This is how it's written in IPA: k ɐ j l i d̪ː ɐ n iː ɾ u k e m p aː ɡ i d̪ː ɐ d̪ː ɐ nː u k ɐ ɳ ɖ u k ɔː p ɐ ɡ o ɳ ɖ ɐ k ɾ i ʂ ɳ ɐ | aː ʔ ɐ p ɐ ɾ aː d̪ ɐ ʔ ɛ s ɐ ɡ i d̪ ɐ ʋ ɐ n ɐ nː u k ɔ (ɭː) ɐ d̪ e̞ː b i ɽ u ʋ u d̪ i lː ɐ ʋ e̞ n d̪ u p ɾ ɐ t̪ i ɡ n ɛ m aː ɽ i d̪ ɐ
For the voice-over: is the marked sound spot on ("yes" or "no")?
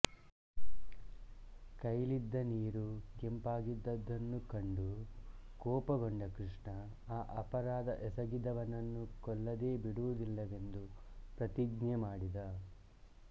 no